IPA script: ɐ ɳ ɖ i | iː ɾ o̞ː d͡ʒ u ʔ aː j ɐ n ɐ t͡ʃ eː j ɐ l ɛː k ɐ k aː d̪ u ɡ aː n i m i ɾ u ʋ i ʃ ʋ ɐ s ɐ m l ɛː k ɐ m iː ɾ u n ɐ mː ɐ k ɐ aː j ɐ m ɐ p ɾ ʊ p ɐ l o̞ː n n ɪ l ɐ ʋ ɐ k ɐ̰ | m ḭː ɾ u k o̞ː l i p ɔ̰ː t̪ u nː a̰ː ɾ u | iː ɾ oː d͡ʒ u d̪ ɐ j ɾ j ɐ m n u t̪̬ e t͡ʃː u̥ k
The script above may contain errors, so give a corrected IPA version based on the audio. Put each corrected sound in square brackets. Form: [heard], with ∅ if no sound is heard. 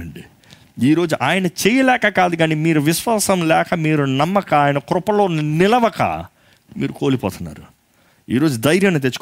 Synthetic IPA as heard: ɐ ɳ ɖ i | iː ɾ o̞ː d͡ʒ u ʔ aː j ɐ n ɐ t͡ʃ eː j ɐ l ɛː k ɐ k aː d̪ u ɡ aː n i m [iː] ɾ u ʋ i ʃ ʋ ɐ s ɐ m l ɛː k ɐ m iː ɾ u n ɐ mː ɐ k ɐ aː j ɐ [n] ɐ [k] ɾ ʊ p ɐ l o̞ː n n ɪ l ɐ ʋ ɐ k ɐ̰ | m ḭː ɾ u k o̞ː l i p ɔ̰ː t̪ u nː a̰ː ɾ u | iː ɾ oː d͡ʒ u d̪ ɐ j ɾ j ɐ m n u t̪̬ e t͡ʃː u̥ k